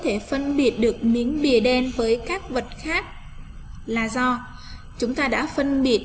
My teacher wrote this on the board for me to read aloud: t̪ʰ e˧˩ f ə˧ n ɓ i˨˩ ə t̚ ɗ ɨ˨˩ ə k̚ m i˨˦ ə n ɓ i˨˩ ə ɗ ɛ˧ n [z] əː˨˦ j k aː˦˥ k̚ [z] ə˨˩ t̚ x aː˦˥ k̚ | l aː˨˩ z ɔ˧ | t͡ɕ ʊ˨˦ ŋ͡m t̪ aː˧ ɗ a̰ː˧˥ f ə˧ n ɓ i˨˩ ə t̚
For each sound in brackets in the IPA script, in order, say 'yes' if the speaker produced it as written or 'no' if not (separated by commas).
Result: no, no